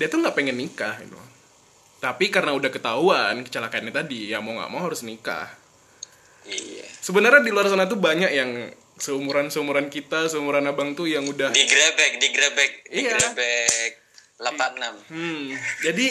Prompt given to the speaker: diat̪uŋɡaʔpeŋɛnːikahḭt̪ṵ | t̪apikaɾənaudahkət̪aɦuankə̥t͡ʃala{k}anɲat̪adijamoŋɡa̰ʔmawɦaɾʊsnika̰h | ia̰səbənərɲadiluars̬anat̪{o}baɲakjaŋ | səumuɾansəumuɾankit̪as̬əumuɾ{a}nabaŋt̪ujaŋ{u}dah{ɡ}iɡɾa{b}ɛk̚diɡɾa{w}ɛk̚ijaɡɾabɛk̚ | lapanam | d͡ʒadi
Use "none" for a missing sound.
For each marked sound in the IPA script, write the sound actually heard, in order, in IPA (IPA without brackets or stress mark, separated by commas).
k, u, a, u, d, b, b